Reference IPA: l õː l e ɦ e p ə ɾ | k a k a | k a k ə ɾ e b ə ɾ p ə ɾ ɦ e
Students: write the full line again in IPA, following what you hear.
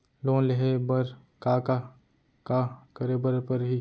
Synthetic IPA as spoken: l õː l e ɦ e b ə ɾ | k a k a | k a k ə ɾ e b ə ɾ p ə ɾ ɦ i